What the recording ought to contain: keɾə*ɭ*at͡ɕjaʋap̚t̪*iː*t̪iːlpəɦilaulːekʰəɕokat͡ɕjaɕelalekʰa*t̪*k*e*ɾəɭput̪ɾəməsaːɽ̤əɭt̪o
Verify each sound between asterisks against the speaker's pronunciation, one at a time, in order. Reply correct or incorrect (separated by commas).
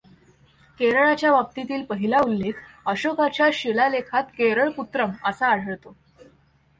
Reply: correct, incorrect, correct, correct